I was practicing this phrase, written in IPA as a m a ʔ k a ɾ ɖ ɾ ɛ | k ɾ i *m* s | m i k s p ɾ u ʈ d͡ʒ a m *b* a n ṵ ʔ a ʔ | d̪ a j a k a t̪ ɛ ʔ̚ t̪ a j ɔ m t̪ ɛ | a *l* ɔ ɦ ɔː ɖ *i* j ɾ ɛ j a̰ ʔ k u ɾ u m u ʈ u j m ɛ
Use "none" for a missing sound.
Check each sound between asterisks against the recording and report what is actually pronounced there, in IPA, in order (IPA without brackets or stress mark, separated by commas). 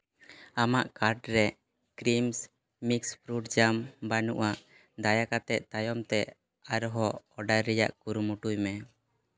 m, b, ɾ, a